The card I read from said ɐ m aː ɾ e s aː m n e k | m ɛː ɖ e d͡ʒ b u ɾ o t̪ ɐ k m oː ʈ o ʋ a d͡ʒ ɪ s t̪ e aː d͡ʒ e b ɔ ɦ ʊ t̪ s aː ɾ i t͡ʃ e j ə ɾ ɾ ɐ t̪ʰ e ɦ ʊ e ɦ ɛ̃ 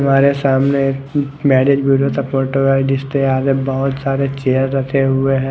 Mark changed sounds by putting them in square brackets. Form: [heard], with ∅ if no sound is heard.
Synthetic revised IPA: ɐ m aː ɾ e s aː m n e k | m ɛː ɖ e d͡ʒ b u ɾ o t̪ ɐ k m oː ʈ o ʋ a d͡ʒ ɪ s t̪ e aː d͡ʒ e b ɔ ɦ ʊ t̪ s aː ɾ [e] t͡ʃ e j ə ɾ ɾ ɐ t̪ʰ e ɦ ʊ e ɦ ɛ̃